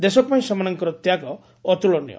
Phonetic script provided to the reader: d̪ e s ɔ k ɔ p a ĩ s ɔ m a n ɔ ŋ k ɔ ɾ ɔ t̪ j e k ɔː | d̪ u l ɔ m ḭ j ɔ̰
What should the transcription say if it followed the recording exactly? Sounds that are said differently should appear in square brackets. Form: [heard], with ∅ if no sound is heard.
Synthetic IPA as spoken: d̪ e s ɔ k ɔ p a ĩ s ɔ m a n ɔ ŋ k ɔ ɾ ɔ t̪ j [a] k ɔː | [t̪] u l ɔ [n] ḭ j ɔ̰

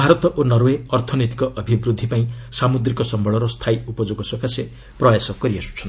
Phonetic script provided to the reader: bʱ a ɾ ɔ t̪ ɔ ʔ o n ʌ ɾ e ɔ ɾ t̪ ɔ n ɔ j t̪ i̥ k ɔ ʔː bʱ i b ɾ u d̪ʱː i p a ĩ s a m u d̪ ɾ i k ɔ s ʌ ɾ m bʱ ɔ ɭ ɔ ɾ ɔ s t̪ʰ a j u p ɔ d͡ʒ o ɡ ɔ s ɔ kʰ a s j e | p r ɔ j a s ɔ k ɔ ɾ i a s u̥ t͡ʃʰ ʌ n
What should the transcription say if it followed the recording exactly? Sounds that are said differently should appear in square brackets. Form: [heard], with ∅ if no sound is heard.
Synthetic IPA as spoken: bʱ a ɾ ɔ t̪ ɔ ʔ o n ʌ ɾ e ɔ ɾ [t̪ʰ] ɔ n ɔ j t̪ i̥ k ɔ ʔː bʱ i b ɾ u d̪ʱː i p a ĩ s a m u d̪ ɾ i k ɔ s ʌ [∅] m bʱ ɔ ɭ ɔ ɾ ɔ s t̪ʰ a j u p ɔ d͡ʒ o ɡ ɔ s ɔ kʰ a s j e | p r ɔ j a s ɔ k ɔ ɾ i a s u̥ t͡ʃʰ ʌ n

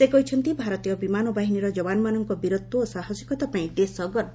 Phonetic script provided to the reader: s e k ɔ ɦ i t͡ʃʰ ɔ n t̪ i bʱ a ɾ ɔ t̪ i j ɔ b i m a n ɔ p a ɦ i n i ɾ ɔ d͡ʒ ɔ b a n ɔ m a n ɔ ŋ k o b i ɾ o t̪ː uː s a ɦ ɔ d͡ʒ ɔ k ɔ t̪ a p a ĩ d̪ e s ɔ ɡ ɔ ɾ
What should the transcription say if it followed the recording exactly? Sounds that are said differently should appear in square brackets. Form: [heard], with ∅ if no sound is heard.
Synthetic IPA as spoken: s e k ɔ ɦ i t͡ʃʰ ɔ n t̪ i bʱ a ɾ ɔ t̪ i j ɔ b i m a n ɔ [b] a ɦ i n i ɾ ɔ d͡ʒ ɔ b a n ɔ m a n ɔ ŋ k [ɔ] b i ɾ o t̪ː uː s a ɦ ɔ d͡ʒ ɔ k ɔ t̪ a p a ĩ d̪ e s ɔ ɡ ɔ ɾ

